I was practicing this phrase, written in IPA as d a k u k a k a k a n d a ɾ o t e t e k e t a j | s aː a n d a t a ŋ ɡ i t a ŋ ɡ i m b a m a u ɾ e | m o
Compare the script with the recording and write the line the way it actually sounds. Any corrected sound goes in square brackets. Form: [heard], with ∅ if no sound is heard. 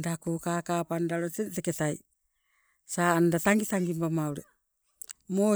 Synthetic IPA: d a k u k a k a [p] a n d a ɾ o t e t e k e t a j | s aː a n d a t a ŋ ɡ i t a ŋ ɡ i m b a m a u ɾ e | m o